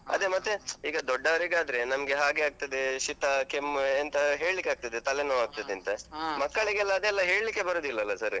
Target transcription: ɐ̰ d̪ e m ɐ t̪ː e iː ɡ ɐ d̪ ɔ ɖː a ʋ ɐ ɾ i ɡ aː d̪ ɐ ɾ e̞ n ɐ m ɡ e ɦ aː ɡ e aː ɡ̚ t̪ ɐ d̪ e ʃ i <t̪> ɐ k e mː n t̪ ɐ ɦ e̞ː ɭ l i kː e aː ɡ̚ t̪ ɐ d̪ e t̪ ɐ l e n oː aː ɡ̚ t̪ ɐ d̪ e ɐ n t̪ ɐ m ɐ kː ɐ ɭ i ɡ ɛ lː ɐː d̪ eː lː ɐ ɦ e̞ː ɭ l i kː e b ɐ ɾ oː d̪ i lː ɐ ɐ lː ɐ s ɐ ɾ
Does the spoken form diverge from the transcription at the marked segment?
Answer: no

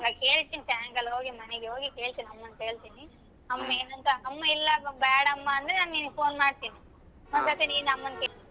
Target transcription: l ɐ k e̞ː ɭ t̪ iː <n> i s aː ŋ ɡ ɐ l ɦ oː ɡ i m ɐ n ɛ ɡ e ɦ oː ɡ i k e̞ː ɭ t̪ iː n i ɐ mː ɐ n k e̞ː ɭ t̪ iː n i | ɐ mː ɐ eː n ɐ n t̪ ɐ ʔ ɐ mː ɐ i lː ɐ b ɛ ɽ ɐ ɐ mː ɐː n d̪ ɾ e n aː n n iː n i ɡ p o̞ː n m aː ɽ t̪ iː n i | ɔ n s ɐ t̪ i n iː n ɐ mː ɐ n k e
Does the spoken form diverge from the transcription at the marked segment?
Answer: no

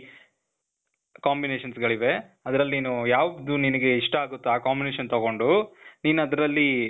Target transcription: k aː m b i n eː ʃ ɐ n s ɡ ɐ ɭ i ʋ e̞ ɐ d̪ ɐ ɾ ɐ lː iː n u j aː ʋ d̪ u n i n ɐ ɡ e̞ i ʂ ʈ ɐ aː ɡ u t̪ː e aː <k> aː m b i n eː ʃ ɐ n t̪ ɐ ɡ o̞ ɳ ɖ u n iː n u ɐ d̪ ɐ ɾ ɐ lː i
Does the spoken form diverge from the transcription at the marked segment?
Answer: no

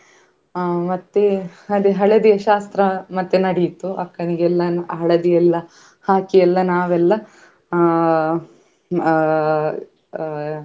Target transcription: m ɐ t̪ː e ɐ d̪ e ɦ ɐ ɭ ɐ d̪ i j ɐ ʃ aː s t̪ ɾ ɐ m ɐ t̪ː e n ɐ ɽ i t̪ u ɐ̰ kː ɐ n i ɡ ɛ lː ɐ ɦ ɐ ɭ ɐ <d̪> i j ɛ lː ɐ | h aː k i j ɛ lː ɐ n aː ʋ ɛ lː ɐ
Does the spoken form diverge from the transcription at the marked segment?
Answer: no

